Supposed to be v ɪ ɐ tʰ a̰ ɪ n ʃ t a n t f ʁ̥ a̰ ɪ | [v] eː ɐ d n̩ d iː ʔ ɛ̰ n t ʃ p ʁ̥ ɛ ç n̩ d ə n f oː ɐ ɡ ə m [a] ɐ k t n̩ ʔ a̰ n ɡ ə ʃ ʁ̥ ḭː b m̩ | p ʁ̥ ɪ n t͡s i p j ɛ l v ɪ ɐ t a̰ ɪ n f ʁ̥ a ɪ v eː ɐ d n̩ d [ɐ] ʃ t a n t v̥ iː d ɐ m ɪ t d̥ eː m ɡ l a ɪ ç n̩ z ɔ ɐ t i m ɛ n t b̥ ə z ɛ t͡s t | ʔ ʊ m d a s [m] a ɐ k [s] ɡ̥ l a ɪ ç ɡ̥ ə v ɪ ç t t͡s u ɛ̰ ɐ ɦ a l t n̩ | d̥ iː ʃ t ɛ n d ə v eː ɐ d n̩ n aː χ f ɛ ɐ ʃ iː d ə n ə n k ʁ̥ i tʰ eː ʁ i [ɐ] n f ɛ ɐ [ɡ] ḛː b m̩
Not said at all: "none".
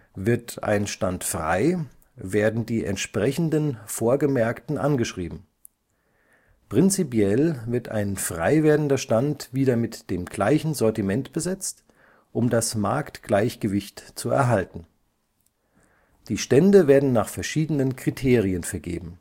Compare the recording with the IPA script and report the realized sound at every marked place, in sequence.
v, ɛ, ɐ, m, t, ə, ɡ

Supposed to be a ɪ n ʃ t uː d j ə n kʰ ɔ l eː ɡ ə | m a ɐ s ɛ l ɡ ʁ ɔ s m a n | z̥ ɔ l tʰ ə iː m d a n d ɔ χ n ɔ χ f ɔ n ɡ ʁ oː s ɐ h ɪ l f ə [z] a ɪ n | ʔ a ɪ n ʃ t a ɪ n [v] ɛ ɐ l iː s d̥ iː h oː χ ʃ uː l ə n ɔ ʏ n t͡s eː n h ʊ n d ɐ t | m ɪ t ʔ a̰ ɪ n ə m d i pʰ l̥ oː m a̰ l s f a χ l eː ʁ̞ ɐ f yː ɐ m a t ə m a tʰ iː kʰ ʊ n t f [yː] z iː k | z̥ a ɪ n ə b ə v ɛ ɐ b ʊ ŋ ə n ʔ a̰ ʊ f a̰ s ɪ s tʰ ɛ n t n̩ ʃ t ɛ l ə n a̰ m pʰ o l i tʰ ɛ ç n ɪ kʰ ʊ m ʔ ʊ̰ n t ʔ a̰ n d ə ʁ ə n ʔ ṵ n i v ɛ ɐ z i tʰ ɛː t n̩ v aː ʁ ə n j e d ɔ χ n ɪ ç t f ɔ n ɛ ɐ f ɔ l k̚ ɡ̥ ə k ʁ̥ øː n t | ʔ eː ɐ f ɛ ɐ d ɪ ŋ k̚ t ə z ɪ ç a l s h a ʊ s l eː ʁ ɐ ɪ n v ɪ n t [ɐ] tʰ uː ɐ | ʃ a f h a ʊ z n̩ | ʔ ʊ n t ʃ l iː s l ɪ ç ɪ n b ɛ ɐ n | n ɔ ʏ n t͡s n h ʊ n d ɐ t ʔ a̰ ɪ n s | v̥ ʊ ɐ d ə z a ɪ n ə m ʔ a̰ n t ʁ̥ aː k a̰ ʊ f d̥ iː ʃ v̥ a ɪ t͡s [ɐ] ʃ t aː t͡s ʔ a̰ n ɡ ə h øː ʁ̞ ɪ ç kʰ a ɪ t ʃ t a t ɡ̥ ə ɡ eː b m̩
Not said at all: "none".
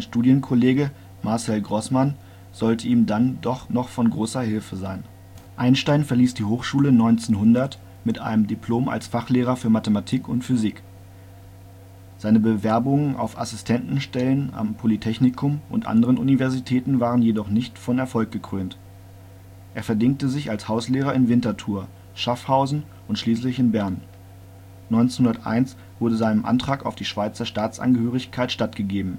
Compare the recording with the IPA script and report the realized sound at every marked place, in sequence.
z, f, y, ɐ, ɐ

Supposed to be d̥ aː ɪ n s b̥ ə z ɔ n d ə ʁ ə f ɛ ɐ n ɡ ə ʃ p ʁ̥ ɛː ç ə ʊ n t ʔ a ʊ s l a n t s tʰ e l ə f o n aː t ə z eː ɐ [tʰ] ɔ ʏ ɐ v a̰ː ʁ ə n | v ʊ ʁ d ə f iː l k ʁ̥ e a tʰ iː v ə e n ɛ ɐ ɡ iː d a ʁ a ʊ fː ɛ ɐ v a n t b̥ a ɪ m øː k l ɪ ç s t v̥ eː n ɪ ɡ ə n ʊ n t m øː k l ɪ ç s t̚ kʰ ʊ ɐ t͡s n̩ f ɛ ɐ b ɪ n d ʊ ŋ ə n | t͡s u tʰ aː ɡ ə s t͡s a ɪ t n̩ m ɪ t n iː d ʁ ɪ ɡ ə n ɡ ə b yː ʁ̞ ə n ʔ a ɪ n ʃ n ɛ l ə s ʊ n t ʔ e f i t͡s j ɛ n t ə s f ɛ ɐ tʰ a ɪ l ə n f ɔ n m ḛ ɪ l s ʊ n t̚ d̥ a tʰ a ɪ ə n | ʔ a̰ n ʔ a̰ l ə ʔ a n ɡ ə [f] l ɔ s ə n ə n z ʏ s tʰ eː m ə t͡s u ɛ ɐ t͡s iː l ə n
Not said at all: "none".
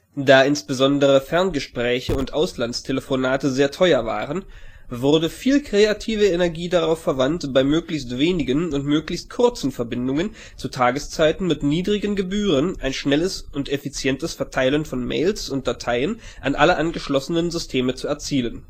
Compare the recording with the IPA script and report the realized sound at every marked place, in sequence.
tʰ, ʃ

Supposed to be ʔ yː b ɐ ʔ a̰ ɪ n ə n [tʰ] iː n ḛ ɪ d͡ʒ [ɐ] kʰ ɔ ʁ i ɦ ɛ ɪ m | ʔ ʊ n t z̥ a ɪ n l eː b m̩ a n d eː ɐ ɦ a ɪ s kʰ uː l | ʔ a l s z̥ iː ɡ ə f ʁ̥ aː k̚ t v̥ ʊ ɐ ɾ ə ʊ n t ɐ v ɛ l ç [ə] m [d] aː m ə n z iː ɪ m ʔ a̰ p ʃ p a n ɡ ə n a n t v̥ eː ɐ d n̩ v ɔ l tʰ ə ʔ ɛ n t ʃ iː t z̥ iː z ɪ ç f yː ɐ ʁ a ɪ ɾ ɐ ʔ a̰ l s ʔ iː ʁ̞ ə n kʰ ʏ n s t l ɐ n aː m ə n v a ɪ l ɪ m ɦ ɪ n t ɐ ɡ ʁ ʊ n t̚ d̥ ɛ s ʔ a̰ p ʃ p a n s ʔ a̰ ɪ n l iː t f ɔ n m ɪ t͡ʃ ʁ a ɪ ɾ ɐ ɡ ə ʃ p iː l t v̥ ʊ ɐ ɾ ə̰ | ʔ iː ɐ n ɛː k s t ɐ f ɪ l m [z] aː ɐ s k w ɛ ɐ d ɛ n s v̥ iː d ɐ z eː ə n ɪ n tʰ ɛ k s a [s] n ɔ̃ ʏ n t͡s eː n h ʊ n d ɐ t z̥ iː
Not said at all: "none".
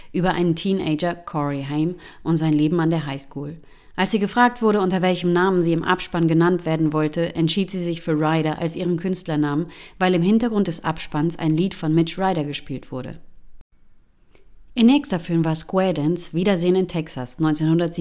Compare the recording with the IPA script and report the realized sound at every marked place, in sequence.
tʰ, ɐ, ə, n, v, s

